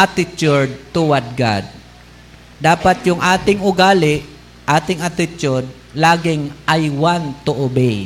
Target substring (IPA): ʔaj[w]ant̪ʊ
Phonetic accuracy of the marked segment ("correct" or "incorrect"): correct